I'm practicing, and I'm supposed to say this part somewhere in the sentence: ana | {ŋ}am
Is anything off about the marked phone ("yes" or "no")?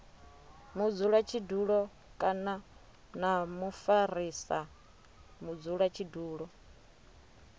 yes